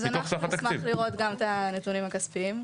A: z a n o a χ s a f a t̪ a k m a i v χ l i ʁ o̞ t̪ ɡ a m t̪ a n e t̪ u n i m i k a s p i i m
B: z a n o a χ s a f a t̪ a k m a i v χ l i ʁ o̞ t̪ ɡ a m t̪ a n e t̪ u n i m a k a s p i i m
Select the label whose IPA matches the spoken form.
B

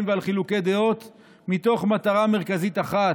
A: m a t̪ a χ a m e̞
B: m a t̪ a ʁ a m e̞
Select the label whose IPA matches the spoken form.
B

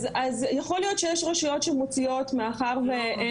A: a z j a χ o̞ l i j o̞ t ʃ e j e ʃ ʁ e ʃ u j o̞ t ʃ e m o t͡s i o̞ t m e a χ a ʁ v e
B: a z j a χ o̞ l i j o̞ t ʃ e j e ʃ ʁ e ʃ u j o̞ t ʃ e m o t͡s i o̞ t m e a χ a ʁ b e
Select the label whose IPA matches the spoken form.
A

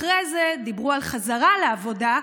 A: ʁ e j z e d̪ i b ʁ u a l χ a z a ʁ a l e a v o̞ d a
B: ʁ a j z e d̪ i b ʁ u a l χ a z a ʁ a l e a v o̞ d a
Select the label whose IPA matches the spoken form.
A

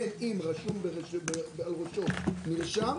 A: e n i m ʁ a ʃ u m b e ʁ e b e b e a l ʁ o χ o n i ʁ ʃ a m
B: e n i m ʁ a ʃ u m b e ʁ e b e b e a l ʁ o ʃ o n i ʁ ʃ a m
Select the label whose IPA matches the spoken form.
B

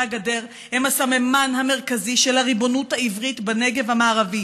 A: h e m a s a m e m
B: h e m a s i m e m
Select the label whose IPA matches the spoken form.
A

